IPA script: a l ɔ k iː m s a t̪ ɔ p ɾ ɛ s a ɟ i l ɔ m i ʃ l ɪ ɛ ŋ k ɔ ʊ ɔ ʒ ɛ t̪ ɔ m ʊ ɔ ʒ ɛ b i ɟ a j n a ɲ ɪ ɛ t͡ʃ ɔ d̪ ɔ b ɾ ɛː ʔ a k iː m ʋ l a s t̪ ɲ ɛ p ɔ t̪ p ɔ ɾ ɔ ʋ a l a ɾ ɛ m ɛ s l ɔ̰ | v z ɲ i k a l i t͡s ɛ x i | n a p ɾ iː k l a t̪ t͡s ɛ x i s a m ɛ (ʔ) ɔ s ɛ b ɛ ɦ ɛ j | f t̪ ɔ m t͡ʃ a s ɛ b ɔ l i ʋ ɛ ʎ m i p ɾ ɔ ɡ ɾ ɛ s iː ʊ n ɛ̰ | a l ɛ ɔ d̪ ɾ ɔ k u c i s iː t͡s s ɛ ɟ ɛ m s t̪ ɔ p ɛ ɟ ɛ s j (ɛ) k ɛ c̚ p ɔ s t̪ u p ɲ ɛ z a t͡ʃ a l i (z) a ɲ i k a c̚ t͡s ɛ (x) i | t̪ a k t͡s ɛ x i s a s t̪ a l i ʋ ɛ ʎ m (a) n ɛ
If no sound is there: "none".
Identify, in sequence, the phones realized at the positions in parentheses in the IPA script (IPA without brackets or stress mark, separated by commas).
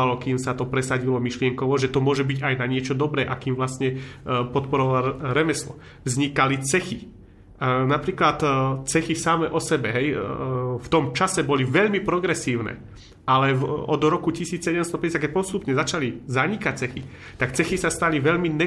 ʔ, a, z, x, i